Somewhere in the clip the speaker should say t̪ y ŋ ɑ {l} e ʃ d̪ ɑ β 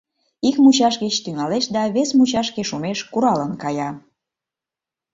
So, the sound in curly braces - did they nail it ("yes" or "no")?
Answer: yes